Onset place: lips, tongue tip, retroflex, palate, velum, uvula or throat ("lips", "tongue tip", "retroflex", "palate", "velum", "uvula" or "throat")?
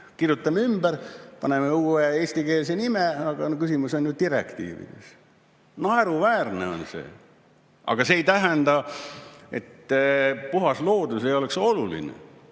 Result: velum